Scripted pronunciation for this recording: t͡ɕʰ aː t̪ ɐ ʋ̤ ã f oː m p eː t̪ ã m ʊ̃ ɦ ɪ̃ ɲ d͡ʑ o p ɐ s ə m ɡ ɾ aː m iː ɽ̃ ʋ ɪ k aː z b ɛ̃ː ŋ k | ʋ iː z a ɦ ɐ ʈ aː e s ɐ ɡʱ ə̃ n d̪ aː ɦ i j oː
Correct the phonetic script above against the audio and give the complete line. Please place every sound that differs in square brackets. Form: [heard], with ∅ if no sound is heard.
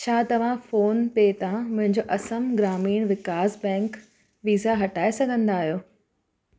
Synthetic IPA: t͡ɕʰ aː t̪ ɐ ʋ̤ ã f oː [n] p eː t̪ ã m ʊ̃ ɦ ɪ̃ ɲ d͡ʑ o [ʔ] ɐ s ə m ɡ ɾ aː m iː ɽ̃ ʋ ɪ k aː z b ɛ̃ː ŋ k | ʋ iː z a ɦ ɐ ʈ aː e s ɐ ɡʱ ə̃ n d̪ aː ɦ i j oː